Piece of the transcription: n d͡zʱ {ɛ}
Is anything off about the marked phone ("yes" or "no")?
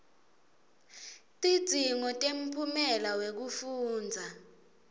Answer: yes